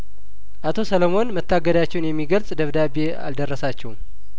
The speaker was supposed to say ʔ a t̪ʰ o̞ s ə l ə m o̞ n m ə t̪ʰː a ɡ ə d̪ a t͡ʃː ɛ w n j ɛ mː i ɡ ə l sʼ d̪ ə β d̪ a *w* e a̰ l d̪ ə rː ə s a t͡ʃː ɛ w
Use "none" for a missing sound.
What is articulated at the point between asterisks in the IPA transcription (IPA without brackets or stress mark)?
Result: b